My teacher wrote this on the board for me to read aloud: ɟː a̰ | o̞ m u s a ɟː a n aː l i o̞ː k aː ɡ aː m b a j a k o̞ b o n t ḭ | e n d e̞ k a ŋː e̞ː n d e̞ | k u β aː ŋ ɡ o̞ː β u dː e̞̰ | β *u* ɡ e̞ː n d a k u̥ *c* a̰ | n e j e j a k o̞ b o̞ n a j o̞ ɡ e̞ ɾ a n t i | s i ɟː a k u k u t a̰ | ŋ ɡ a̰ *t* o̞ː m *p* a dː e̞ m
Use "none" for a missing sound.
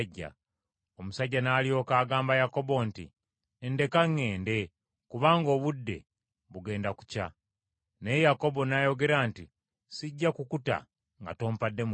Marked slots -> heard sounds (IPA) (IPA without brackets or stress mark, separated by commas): u, c, t, p